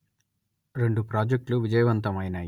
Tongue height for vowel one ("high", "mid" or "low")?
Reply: mid